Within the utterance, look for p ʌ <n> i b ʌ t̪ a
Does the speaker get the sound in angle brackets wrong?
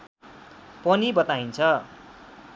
no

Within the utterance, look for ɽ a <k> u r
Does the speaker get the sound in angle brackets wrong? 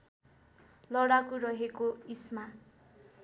no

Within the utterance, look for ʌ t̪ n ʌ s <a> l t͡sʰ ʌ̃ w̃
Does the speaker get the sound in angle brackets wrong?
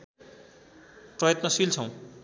yes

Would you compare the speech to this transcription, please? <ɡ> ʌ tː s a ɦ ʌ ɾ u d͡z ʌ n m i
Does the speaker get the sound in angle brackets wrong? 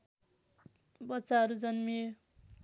yes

